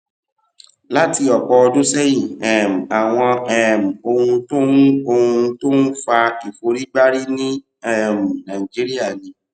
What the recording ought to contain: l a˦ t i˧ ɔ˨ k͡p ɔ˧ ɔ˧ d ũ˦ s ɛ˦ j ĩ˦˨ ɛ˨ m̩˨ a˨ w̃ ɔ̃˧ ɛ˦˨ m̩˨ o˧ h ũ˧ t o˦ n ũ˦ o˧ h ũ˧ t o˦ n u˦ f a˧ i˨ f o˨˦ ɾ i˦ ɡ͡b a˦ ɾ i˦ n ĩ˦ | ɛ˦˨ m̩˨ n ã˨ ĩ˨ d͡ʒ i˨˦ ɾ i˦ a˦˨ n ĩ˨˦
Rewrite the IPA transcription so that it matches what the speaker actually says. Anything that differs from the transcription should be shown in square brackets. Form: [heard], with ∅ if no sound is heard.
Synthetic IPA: l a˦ t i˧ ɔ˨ k͡p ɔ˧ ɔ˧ d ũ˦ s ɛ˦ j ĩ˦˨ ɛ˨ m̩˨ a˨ w̃ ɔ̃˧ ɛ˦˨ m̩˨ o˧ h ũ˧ t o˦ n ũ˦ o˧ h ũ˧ t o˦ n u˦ f a˧ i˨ f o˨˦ ɾ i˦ ɡ͡b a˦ ɾ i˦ n ĩ˦ | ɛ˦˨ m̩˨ n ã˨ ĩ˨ d͡ʒ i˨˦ ɾ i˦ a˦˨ n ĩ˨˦